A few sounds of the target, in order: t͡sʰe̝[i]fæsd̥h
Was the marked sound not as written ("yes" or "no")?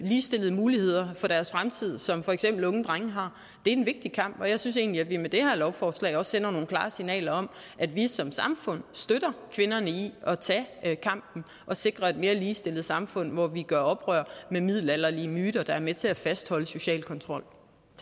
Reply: yes